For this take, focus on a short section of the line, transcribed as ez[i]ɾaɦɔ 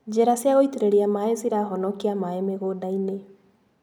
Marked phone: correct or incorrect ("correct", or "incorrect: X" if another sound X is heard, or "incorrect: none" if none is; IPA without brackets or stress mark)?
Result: correct